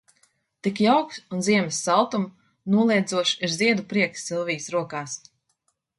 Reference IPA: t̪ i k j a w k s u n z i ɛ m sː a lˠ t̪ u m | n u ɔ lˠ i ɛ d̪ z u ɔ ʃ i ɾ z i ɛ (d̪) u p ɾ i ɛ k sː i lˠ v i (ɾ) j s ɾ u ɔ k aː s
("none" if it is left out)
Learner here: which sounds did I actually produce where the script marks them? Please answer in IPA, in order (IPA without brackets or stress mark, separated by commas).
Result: d̪, none